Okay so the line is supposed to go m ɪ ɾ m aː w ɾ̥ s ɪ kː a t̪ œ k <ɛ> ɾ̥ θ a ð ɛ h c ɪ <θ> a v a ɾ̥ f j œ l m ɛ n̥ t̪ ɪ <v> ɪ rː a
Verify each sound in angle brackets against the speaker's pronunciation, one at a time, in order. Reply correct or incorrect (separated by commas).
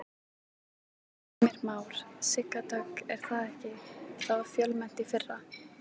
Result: correct, correct, incorrect